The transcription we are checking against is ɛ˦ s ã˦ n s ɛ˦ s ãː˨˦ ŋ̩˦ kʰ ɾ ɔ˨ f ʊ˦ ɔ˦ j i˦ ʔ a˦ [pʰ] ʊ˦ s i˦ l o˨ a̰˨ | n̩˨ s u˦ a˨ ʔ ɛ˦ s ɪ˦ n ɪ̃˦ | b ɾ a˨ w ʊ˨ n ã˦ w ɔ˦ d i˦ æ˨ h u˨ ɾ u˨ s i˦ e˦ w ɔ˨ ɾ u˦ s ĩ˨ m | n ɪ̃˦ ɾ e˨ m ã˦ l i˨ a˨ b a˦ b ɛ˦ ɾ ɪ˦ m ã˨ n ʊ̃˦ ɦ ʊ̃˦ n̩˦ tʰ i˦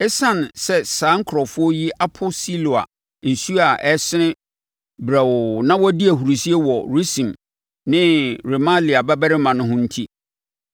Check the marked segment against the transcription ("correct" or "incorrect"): correct